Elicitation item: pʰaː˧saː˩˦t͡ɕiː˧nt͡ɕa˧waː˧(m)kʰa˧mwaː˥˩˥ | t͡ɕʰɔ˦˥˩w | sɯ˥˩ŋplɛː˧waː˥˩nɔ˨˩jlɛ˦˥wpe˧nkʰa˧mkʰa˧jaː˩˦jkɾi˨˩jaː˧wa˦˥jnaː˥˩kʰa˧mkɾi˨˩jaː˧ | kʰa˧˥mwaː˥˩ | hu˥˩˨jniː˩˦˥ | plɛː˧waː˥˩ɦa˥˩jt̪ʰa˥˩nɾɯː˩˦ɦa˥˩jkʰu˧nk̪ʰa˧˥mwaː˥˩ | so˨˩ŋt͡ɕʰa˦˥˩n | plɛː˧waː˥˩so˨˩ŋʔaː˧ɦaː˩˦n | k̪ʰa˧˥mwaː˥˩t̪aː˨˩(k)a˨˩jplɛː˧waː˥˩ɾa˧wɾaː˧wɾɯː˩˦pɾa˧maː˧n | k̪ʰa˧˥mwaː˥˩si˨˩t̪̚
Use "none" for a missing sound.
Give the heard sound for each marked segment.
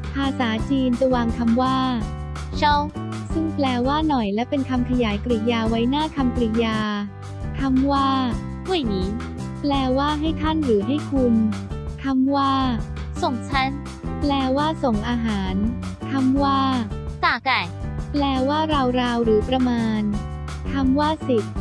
ŋ, k

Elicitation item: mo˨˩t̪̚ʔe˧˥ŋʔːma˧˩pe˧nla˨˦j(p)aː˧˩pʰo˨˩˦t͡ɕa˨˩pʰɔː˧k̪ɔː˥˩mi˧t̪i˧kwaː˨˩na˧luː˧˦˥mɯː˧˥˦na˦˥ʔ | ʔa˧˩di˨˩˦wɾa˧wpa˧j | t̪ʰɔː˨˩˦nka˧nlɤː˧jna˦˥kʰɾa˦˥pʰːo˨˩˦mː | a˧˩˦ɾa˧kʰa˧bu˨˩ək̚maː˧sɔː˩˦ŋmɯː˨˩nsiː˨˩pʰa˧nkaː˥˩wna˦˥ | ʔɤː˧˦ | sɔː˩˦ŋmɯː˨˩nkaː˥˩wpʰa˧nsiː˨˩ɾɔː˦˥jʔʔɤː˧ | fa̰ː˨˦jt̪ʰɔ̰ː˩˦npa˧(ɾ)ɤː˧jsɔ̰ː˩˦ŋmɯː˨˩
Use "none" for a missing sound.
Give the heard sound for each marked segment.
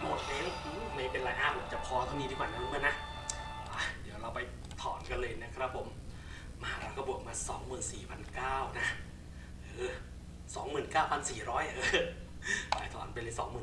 ʔ, l

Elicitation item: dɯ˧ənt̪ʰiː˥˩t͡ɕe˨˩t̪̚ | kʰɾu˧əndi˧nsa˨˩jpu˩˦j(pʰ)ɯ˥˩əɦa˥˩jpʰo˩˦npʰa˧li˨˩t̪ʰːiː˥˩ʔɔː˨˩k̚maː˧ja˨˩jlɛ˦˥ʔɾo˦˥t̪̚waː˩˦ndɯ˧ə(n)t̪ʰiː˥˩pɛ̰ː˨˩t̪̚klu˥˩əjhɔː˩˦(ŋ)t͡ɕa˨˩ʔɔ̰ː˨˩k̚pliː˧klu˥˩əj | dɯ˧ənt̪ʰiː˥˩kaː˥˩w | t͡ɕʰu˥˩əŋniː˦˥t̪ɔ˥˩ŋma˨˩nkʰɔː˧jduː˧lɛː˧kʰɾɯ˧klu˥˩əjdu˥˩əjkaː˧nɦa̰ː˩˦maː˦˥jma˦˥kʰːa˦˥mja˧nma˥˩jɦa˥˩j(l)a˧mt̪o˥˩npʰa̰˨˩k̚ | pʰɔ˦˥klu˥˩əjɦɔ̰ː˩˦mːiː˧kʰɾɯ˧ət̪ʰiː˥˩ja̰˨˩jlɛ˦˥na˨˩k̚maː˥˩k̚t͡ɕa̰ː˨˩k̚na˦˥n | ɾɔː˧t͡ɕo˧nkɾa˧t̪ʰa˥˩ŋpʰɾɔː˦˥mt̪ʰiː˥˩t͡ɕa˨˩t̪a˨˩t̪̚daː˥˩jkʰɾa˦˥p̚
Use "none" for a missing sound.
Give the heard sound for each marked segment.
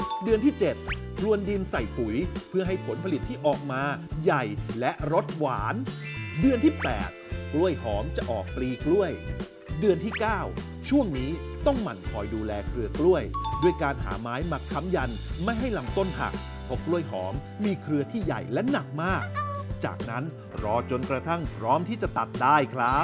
pʰ, n, m, l

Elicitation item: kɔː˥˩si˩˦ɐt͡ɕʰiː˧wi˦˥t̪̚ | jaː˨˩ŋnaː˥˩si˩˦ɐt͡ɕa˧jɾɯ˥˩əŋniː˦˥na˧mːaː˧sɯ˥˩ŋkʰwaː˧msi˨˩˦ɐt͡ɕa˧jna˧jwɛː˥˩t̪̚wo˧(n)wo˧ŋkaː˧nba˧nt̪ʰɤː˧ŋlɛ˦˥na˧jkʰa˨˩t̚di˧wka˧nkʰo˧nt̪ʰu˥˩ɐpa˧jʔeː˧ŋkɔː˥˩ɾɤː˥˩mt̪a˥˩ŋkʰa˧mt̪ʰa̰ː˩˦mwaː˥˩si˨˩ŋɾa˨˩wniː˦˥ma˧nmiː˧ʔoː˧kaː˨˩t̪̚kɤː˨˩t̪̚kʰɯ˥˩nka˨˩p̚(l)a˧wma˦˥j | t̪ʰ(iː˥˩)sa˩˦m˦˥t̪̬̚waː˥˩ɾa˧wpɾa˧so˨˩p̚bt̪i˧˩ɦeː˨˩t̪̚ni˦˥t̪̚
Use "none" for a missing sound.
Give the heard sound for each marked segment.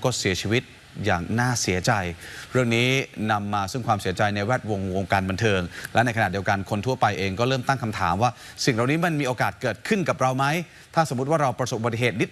ŋ, ɾ, aː˥˩

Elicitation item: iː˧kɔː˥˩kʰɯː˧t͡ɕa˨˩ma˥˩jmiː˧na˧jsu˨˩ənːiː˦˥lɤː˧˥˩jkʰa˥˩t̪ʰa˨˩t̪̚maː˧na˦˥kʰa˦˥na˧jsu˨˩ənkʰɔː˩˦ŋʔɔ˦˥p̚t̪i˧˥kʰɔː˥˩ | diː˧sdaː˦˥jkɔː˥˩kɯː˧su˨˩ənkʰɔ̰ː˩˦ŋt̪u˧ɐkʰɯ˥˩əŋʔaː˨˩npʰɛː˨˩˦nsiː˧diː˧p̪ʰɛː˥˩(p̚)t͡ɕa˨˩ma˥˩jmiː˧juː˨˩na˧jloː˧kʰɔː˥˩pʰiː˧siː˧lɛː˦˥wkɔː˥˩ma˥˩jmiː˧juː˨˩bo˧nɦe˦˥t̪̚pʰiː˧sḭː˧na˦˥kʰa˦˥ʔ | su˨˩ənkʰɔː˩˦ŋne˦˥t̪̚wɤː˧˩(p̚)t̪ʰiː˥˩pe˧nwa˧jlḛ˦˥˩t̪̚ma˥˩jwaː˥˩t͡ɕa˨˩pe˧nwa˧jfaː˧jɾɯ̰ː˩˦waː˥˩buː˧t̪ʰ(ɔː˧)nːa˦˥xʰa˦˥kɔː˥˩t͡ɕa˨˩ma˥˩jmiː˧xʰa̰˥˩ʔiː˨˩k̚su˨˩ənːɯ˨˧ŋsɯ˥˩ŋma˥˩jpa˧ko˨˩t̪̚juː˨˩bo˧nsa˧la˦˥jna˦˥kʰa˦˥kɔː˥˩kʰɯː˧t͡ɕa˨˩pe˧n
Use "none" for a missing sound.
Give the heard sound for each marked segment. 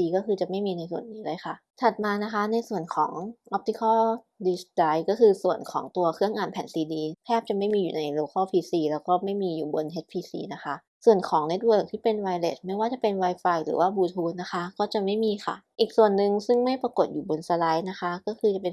p̚, k̚, uː˧

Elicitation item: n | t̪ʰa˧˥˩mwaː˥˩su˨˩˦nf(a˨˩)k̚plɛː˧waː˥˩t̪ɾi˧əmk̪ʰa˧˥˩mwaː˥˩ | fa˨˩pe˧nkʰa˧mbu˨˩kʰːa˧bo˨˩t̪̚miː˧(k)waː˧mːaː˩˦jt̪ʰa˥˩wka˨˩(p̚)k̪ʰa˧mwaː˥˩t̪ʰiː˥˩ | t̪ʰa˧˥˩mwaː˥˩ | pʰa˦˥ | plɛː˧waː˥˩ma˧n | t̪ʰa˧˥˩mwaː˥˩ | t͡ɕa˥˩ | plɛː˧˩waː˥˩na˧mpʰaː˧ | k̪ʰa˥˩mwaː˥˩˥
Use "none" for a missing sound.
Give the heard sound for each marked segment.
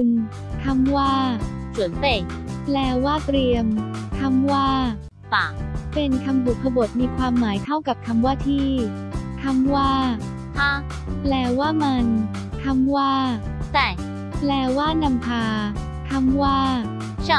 e˨˩, kʰ, p̚

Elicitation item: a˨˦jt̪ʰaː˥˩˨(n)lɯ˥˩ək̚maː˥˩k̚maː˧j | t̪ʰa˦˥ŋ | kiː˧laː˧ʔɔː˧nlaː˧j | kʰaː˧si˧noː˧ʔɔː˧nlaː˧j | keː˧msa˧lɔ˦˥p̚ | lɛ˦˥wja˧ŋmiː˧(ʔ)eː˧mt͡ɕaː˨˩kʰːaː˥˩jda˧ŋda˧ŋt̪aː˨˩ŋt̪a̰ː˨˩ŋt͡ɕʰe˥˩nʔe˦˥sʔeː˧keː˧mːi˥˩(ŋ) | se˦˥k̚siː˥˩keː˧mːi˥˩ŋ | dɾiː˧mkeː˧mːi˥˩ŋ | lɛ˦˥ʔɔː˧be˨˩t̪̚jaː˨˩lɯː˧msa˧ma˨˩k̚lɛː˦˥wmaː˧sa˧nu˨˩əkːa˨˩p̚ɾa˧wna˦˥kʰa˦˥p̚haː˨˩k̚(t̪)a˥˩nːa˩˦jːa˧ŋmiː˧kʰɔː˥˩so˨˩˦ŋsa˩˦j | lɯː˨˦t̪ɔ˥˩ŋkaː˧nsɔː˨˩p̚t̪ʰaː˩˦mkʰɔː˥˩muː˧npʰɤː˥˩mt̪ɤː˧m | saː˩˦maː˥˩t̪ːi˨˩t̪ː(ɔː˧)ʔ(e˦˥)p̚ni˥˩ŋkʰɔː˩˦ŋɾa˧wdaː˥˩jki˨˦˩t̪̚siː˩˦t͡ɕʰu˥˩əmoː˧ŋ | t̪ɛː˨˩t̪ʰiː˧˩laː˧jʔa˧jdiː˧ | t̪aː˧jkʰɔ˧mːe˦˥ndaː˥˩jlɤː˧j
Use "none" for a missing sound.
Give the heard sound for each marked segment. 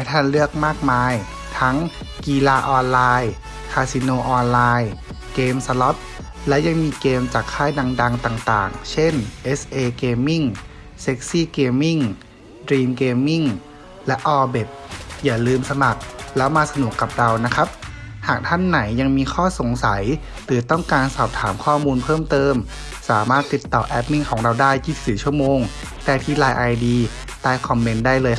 n, k, ŋ, t̪ʰ, ɔː˨˩, ɛ˦˥

